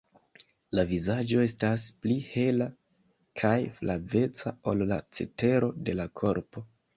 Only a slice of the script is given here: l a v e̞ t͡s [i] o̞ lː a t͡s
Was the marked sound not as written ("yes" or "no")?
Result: yes